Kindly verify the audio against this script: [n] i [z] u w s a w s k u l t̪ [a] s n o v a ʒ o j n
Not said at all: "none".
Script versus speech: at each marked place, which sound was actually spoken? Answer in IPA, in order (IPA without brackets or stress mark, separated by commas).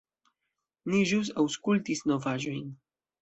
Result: n, ʒ, i